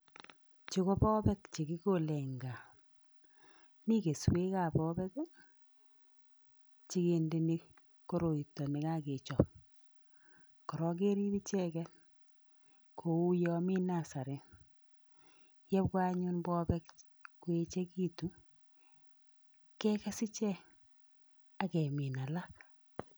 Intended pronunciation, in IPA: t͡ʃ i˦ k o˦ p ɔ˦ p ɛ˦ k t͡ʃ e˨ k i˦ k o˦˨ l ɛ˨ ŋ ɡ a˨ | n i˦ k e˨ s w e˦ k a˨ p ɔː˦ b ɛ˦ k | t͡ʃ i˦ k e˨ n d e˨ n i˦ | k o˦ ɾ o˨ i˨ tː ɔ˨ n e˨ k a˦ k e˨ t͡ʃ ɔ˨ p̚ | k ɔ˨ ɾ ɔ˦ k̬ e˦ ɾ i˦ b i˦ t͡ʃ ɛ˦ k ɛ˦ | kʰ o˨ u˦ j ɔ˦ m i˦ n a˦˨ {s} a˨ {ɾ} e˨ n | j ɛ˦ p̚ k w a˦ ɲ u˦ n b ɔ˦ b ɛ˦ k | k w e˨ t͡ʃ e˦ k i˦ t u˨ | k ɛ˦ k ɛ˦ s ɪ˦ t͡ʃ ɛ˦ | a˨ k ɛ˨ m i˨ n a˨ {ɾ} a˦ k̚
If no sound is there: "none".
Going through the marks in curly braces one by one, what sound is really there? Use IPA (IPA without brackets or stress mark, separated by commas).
s, ɾ, l